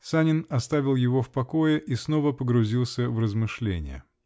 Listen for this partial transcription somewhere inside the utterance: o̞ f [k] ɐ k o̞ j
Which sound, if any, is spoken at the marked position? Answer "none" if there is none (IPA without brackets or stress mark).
p